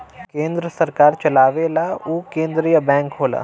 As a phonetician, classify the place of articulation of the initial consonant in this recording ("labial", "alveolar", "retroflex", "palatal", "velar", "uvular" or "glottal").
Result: velar